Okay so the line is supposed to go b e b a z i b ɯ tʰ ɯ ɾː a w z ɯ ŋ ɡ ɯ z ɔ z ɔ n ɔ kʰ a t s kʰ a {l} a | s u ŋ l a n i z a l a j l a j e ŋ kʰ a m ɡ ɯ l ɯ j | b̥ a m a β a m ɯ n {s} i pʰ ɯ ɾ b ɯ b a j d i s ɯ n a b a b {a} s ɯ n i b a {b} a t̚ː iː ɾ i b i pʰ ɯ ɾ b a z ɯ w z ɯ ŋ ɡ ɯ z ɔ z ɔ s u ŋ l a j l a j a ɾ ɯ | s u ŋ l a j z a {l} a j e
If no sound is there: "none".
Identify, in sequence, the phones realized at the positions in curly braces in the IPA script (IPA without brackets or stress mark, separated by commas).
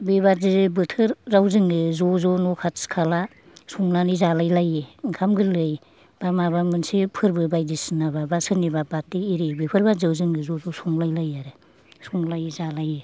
l, s, a, b, l